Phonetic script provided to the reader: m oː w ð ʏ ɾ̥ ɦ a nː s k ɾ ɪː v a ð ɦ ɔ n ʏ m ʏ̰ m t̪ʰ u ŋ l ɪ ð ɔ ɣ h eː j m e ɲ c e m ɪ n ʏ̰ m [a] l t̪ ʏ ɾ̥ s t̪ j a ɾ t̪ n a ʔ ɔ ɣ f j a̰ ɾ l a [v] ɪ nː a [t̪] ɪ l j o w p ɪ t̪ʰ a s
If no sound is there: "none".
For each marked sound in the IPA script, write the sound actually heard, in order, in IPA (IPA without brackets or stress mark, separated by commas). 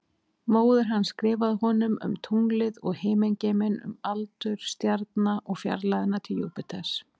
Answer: a, ð, t̪ʰ